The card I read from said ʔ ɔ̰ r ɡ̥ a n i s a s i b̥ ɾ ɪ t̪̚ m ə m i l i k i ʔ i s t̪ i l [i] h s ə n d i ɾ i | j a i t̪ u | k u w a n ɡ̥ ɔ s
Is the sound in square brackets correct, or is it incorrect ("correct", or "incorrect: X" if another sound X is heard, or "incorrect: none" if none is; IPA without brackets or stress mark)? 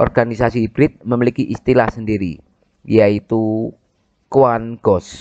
incorrect: a